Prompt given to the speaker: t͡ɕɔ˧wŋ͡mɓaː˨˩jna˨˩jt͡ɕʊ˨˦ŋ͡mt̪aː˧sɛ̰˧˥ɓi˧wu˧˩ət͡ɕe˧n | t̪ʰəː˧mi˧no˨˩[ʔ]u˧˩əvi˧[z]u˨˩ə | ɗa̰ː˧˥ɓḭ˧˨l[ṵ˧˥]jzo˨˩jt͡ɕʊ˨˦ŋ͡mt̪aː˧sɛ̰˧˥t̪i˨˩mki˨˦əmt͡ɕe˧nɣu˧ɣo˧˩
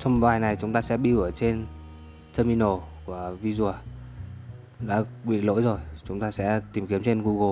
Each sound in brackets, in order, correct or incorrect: incorrect, correct, incorrect

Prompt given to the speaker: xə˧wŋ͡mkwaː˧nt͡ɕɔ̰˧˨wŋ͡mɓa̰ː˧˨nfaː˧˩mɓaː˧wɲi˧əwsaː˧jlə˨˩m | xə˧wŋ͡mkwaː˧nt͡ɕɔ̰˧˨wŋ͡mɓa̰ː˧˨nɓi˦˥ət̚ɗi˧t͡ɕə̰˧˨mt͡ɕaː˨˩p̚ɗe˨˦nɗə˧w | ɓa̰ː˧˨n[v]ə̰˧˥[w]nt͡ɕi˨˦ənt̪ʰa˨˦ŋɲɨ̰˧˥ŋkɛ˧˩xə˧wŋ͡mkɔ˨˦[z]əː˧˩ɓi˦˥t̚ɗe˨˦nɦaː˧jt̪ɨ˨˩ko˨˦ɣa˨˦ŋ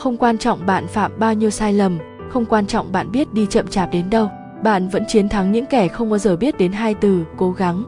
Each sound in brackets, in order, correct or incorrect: correct, incorrect, correct

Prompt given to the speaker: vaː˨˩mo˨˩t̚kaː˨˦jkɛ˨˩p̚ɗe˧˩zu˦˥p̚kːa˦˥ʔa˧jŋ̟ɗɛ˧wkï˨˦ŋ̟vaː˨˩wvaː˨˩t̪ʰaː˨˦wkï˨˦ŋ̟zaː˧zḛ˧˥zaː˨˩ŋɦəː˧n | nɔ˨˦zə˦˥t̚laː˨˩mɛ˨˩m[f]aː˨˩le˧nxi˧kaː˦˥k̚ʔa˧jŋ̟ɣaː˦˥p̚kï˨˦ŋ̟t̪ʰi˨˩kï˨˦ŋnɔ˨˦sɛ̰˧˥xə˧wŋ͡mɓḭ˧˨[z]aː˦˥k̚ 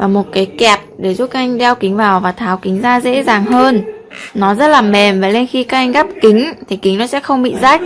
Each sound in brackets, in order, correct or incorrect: incorrect, correct

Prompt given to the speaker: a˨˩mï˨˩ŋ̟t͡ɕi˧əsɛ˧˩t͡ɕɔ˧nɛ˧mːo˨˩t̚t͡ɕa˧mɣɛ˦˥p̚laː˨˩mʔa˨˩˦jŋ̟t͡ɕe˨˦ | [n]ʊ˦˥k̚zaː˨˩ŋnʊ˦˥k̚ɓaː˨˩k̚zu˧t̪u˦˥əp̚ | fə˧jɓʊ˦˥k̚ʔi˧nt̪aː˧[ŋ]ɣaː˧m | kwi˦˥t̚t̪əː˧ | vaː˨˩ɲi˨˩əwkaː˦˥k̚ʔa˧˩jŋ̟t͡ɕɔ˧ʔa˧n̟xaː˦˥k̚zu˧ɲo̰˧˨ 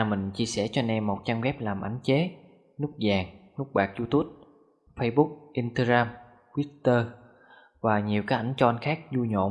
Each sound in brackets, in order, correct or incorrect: correct, incorrect

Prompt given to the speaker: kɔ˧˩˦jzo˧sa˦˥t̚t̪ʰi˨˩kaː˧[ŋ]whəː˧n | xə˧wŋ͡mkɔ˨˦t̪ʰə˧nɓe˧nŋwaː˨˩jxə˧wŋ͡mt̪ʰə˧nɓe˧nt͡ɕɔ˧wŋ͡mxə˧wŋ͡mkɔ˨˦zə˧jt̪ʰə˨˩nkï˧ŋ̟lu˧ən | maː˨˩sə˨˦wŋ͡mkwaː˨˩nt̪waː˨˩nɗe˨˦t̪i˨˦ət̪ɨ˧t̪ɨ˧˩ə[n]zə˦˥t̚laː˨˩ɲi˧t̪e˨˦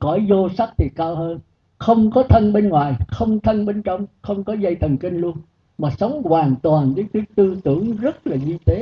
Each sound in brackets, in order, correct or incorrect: incorrect, incorrect

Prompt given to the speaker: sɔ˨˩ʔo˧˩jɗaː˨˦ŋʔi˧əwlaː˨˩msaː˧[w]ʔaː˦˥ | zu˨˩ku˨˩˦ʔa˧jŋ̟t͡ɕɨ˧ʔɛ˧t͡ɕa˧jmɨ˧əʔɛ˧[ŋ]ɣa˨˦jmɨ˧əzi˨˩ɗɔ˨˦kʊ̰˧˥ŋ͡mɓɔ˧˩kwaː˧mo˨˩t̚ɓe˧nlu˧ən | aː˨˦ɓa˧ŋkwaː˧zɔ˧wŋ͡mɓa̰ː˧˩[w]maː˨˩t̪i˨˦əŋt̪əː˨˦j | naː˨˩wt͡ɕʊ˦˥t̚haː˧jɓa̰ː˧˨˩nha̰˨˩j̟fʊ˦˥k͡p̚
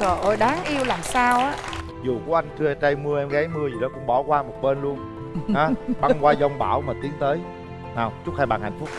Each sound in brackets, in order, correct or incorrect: correct, incorrect, correct

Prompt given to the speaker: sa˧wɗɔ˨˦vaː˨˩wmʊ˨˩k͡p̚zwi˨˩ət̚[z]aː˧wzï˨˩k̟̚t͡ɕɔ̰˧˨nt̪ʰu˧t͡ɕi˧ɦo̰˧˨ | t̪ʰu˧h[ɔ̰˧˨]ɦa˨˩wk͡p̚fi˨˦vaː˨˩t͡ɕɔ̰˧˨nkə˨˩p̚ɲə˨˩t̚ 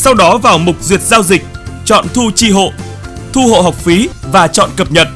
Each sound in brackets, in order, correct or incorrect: correct, incorrect

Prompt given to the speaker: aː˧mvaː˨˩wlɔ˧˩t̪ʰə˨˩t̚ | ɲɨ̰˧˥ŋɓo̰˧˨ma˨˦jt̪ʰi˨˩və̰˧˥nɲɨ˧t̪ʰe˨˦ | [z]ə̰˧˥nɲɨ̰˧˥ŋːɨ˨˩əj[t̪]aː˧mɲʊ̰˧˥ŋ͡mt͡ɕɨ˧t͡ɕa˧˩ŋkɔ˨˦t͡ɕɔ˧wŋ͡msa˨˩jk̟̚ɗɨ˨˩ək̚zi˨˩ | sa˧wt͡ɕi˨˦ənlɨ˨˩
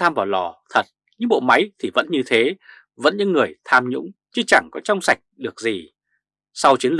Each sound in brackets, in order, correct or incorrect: incorrect, incorrect

